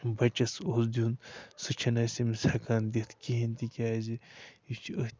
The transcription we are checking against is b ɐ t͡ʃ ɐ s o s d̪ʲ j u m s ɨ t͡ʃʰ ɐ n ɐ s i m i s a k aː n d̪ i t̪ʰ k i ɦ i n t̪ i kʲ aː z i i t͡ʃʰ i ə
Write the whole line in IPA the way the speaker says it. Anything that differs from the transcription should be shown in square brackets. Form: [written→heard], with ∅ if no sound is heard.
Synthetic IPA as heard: b ɐ t͡ʃ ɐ s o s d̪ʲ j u [m→n] s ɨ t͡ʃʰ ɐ n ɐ s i m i s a k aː n d̪ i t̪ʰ k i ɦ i n t̪ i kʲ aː z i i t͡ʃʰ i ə